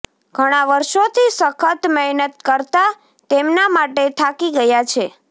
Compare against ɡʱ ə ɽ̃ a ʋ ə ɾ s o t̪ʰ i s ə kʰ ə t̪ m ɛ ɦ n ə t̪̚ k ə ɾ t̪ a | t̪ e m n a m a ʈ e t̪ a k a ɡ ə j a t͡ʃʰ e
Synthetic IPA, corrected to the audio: ɡʱ ə ɽ̃ a ʋ ə ɾ ʃ o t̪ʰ i s ə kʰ ə t̪ m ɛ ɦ n ə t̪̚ k ə ɾ t̪ a | t̪ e m n a m a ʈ e t̪ʰ a k i ɡ ə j a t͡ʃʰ e